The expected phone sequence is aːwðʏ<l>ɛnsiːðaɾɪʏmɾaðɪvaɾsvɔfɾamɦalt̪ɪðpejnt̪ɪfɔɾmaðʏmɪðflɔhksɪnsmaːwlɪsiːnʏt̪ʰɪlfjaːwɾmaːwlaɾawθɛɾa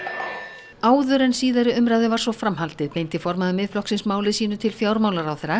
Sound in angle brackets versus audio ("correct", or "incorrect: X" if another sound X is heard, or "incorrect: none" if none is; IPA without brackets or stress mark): incorrect: ɾ